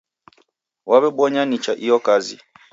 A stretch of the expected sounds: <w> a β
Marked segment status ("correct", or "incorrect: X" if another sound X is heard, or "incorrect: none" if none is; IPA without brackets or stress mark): correct